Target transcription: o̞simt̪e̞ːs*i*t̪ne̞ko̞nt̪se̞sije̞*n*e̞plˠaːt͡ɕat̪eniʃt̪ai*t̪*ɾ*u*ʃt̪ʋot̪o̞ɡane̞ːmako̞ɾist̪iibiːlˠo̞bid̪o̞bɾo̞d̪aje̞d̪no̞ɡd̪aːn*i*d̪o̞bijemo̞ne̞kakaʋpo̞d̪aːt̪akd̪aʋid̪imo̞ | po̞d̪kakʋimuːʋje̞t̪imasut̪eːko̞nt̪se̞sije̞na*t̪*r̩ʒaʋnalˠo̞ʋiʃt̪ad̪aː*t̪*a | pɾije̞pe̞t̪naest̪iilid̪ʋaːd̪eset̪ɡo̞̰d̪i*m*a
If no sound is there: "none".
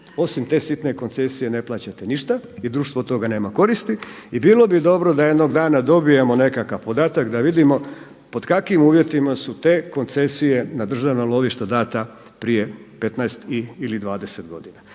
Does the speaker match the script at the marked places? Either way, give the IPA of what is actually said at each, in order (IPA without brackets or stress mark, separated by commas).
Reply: i, n, d̪, uː, a, d̪, t̪, n